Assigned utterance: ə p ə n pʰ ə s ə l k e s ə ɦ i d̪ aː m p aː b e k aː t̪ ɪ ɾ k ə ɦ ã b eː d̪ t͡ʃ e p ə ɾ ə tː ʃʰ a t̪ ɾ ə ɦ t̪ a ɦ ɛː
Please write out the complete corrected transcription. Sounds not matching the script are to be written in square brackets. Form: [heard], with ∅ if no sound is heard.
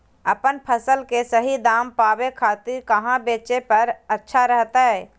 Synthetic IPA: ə p ə n pʰ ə s ə l k e s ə ɦ i d̪ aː m p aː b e [kʰ] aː t̪ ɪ ɾ k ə ɦ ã b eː [∅] t͡ʃ e p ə ɾ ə tː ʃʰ a [∅] ɾ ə ɦ t̪ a ɦ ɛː